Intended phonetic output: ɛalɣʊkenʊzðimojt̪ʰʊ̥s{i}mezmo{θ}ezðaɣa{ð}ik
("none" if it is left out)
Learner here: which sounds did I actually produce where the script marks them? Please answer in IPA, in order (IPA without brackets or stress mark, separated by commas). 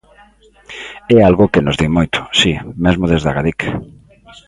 i, ð, ð